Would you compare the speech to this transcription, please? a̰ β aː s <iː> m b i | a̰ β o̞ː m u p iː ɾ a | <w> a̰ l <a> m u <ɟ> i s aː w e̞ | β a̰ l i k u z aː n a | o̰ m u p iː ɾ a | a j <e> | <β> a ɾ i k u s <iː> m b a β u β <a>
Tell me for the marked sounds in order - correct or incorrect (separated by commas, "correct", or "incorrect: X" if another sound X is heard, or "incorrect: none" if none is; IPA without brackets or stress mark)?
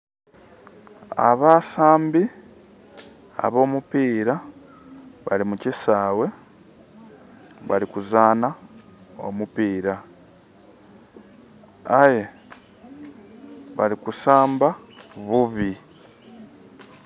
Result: incorrect: aː, incorrect: β, incorrect: i, incorrect: c, correct, correct, incorrect: aː, incorrect: i